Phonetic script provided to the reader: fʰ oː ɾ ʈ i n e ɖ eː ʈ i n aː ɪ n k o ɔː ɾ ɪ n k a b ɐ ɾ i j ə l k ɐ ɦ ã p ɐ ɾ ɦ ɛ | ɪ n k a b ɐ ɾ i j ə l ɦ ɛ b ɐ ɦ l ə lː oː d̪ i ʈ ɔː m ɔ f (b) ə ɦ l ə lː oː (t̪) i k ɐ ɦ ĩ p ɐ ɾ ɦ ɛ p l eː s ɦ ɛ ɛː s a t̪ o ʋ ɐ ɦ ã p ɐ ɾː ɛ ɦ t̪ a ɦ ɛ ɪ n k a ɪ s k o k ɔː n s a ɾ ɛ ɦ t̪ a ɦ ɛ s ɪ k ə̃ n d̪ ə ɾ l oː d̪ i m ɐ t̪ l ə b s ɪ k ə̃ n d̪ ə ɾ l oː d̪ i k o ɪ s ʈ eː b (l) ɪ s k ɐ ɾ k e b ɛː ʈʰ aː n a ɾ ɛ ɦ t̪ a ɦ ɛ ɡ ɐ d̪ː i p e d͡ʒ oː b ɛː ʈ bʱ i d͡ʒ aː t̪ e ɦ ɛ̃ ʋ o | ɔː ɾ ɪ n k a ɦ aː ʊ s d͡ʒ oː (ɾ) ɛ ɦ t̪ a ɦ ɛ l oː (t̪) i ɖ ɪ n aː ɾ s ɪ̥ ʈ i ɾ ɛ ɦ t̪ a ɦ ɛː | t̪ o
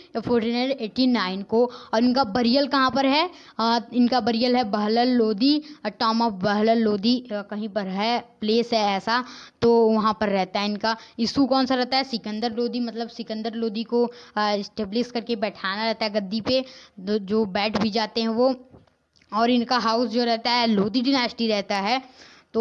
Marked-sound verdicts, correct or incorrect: correct, incorrect: d̪, correct, correct, incorrect: d̪

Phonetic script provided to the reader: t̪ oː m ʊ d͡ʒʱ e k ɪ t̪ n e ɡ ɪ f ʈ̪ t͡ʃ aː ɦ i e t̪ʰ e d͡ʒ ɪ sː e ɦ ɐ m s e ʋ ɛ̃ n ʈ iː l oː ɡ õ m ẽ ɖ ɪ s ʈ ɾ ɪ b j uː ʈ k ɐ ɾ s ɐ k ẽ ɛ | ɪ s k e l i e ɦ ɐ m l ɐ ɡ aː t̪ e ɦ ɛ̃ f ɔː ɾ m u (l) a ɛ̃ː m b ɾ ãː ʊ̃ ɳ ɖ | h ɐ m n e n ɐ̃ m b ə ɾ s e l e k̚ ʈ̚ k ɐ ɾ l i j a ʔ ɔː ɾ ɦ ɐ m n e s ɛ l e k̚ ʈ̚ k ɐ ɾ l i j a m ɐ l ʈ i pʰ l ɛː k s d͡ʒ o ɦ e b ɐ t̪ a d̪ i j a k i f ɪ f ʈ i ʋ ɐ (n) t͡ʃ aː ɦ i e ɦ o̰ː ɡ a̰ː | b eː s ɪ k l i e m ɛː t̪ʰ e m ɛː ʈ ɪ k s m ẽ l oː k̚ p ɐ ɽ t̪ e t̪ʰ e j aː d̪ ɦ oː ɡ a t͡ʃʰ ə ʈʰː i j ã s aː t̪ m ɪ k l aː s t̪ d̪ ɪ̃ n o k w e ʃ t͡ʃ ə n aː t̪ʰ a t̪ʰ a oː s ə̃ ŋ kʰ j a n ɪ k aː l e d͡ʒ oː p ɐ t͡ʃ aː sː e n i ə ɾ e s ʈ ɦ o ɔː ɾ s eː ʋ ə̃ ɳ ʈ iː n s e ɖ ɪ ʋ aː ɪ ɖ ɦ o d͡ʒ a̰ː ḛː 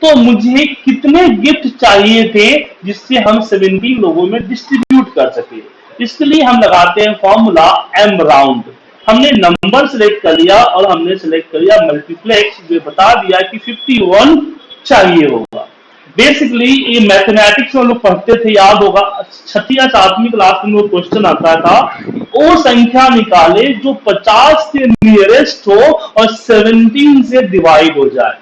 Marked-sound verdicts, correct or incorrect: correct, correct

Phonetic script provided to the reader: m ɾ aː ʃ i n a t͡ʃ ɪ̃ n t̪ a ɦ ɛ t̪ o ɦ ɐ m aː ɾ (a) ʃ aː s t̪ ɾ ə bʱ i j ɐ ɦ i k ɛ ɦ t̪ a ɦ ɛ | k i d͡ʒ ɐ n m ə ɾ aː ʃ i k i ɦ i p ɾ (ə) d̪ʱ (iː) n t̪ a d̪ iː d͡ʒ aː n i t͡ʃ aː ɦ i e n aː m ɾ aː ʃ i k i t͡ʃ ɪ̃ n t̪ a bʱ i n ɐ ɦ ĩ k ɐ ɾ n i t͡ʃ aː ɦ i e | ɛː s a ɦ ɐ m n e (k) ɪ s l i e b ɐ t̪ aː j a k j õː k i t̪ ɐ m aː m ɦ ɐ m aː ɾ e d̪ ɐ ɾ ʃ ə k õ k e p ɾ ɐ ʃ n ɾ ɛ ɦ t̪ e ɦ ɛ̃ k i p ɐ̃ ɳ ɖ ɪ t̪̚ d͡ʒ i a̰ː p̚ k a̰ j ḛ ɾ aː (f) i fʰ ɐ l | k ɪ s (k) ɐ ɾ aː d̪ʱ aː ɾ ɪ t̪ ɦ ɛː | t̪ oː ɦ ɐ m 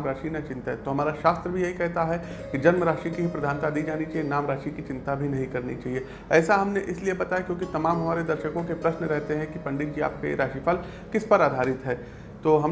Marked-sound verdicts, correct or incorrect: correct, incorrect: ɐ, incorrect: aː, incorrect: ʔ, incorrect: ʃ, incorrect: p

